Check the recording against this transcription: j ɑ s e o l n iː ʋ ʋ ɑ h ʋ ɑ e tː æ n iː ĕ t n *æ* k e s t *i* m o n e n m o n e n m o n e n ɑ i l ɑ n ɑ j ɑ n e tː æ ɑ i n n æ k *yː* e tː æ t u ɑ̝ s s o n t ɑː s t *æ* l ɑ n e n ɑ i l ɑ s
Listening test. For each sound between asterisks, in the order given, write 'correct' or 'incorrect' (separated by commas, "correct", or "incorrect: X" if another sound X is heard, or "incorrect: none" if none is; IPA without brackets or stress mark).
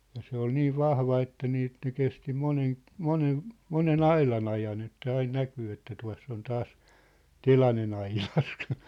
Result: incorrect: e, correct, correct, incorrect: e